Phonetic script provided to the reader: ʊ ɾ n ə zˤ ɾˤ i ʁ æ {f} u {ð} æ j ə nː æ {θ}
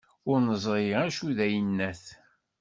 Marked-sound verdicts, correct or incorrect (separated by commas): incorrect, correct, correct